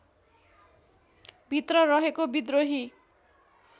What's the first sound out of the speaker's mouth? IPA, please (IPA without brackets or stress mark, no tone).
bʱ